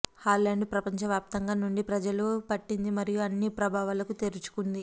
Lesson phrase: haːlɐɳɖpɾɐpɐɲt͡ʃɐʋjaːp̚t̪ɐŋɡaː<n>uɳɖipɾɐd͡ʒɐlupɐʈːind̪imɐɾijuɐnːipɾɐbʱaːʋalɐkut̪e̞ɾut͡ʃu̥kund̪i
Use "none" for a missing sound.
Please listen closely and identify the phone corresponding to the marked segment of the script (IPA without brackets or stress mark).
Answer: n